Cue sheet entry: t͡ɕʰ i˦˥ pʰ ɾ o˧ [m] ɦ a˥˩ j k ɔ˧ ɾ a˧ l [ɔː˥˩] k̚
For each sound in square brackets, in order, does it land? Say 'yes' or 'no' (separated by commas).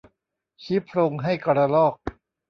no, yes